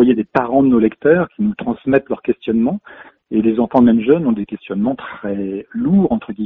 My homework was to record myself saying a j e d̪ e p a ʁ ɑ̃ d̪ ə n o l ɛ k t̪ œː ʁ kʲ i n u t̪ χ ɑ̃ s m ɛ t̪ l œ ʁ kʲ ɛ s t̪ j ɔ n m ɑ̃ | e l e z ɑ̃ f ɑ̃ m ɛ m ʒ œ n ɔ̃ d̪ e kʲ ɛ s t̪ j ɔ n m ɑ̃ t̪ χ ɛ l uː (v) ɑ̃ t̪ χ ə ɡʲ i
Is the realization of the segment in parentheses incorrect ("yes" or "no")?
yes